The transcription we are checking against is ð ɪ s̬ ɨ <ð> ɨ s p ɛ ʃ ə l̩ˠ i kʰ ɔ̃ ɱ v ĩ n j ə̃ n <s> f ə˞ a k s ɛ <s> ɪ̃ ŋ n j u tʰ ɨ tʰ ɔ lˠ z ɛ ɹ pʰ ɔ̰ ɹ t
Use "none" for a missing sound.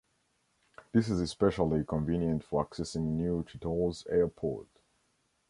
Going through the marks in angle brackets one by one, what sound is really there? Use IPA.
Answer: z, t, s

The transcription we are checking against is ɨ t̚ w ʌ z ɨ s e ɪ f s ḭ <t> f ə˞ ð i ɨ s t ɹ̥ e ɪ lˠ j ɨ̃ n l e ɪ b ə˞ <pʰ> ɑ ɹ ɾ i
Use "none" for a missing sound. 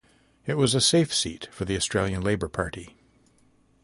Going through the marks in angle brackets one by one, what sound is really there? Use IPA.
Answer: t, pʰ

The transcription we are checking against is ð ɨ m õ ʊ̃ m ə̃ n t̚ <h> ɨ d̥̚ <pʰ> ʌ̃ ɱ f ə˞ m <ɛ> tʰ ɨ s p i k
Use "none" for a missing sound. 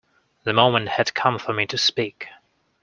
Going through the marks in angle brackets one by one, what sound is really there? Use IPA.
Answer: h, kʰ, i

